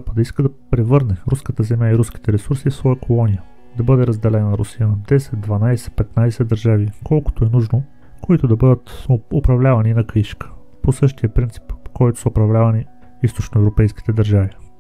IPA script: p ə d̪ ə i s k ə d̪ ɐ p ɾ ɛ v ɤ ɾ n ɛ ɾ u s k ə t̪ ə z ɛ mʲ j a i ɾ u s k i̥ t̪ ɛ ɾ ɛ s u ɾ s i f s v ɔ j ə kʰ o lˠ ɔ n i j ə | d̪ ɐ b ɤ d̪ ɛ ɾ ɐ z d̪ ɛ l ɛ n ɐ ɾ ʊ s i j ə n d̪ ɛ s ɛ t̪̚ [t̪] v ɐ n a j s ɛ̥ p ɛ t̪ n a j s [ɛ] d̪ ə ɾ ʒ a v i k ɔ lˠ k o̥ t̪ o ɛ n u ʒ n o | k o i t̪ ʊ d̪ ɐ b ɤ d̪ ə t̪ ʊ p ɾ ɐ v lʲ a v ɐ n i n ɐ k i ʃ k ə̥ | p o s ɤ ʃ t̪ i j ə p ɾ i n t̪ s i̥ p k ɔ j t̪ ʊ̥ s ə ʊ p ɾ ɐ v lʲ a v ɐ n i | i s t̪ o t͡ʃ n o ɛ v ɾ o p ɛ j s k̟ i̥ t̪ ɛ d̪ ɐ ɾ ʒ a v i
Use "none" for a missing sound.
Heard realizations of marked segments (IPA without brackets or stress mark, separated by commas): d̪, ɛ